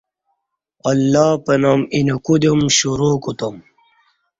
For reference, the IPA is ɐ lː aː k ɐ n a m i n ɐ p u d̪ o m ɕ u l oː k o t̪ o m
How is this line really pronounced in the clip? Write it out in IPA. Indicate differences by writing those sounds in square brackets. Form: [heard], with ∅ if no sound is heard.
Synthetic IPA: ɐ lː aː [p] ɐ n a m i n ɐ [k] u d̪ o m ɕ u [ɾ] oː k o t̪ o m